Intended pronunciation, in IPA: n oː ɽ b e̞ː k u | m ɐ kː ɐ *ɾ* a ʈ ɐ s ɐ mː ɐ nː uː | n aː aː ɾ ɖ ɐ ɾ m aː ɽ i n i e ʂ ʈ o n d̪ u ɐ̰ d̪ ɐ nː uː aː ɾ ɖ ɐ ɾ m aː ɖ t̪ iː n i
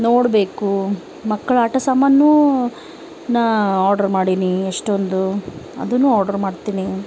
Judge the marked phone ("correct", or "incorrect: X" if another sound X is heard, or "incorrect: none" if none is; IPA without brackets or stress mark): incorrect: ɭ